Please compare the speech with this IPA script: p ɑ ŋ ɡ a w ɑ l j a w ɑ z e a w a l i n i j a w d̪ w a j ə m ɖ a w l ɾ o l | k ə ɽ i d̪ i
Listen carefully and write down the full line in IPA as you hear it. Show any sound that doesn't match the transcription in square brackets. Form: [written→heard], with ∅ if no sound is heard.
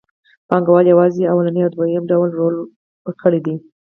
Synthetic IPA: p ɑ ŋ ɡ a w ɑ l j a w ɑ z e a w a l [i→a] n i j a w d̪ w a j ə m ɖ a w l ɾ o l | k ə ɽ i d̪ i